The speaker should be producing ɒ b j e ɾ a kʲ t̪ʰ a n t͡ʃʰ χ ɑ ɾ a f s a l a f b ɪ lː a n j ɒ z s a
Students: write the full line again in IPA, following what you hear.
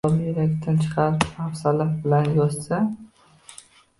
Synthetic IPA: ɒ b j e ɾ a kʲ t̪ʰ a n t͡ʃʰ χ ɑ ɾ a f s a l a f b ɪ l a n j ɒ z s a